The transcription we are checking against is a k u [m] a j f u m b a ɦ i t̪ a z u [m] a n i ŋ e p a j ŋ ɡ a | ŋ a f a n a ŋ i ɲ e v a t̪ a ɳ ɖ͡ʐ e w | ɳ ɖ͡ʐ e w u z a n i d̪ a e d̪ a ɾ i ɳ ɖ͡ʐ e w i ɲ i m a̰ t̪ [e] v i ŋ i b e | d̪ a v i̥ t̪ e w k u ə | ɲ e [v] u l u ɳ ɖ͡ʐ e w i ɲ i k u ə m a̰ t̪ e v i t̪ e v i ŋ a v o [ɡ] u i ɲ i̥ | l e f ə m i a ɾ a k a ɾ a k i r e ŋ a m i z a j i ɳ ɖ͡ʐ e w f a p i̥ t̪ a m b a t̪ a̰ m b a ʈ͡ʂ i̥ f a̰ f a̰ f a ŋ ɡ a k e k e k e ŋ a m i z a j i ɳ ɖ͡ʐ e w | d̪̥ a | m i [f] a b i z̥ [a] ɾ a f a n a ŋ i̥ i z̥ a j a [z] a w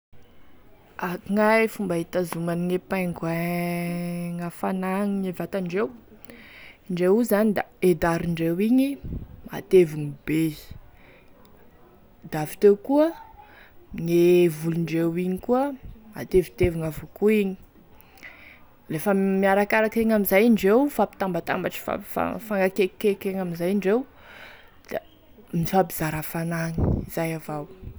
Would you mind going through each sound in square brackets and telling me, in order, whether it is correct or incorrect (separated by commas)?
incorrect, correct, correct, correct, incorrect, correct, correct, incorrect